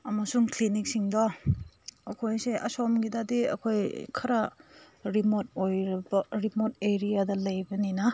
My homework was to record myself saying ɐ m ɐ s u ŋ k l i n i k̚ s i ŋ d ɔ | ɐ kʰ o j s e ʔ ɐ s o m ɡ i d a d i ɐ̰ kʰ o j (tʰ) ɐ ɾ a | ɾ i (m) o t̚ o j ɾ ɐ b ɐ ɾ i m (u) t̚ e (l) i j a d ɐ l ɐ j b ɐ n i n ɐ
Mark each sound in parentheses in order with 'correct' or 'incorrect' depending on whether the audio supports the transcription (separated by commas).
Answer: incorrect, correct, incorrect, incorrect